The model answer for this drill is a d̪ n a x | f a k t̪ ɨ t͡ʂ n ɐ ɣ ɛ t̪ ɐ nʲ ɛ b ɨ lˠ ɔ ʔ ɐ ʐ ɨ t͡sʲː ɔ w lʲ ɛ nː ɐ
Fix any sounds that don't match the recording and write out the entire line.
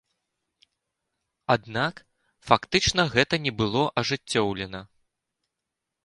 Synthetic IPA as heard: a d̪ n a k | f a k t̪ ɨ t͡ʂ n ɐ ɣ ɛ t̪ ɐ nʲ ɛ b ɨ lˠ ɔ ʔ ɐ ʐ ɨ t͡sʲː ɔ w lʲ ɛ n ɐ